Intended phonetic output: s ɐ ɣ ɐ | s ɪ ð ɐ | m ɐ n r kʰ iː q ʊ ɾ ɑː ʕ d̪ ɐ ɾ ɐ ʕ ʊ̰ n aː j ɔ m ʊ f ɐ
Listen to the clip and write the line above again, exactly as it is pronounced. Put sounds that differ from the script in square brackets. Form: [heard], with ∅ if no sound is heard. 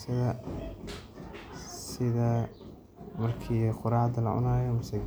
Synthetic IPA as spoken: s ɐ [ð] ɐ | s ɪ ð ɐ | m ɐ [∅] r kʰ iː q ʊ ɾ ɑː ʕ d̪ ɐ [l] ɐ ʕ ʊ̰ n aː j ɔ m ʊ [s] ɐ